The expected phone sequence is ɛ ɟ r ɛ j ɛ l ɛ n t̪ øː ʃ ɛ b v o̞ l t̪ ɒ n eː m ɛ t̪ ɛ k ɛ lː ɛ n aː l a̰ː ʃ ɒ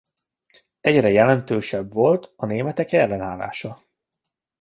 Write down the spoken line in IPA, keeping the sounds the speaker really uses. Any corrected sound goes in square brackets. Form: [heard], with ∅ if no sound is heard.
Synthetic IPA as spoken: ɛ ɟ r ɛ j ɛ l ɛ n t̪ øː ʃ ɛ b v o̞ l t̪ ɒ n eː m ɛ t̪ ɛ k ɛ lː ɛ n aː l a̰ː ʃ ɒ